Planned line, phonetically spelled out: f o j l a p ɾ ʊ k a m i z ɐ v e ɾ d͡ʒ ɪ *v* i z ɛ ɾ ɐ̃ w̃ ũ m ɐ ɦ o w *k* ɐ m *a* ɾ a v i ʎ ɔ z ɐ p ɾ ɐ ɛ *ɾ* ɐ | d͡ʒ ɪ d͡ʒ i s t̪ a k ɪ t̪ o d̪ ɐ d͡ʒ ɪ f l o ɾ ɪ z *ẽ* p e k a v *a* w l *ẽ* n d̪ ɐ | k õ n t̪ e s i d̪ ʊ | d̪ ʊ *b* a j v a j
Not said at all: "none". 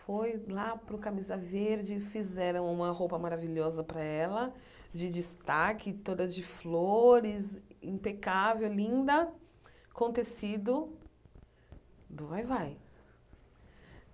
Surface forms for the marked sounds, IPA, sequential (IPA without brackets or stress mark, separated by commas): f, p, a, l, ĩ, e, ĩ, v